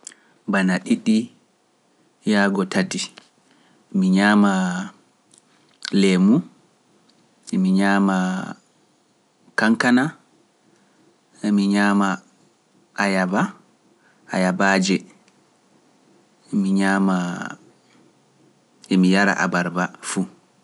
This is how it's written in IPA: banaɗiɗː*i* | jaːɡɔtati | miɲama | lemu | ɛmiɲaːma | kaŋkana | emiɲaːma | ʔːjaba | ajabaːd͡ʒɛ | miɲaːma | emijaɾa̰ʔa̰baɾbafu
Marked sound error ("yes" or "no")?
no